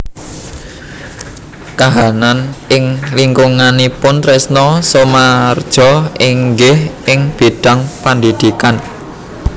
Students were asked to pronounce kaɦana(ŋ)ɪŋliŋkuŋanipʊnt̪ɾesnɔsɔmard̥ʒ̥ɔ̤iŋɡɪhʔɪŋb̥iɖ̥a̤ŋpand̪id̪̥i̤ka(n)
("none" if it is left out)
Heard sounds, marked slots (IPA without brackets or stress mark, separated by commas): n, n